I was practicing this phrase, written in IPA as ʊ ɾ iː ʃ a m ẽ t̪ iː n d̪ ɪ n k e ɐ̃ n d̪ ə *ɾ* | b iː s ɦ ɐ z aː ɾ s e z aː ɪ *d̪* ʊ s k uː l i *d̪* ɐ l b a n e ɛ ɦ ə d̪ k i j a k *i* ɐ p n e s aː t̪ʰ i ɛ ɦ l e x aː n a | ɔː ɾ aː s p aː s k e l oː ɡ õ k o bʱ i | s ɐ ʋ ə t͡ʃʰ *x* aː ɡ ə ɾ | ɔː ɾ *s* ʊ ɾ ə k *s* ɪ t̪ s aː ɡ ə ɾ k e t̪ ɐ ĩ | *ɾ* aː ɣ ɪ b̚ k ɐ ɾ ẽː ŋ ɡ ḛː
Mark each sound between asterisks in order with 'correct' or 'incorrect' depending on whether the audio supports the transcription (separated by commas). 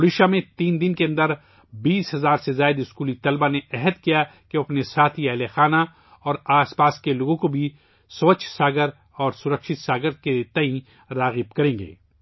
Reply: correct, correct, incorrect, incorrect, incorrect, correct, incorrect, correct